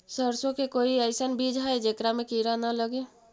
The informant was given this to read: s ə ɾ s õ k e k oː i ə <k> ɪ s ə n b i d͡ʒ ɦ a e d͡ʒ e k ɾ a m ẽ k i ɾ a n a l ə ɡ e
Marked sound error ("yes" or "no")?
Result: yes